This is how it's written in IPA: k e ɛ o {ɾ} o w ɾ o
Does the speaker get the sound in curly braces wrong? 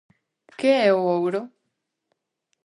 yes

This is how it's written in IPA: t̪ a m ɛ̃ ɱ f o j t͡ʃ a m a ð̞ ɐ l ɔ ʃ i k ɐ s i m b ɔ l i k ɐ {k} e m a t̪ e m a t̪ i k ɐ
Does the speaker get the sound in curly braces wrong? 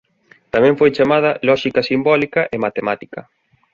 yes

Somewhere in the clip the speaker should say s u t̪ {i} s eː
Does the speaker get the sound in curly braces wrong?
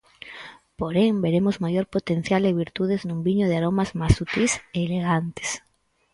no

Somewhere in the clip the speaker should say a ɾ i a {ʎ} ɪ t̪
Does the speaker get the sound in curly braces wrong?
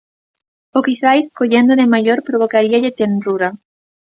no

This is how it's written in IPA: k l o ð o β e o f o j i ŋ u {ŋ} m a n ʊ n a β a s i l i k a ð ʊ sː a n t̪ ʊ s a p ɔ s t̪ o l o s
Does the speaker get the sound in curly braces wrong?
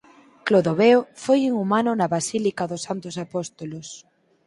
yes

